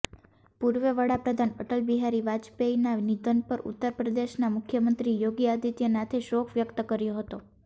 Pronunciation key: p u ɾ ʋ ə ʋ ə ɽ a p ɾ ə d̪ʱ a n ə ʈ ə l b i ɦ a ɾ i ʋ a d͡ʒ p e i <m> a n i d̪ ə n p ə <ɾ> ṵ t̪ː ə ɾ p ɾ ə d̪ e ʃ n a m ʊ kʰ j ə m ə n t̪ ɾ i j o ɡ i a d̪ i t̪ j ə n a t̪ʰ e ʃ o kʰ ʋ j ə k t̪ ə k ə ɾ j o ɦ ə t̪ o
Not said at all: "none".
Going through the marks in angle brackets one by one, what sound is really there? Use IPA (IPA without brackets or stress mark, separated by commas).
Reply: n, ɾ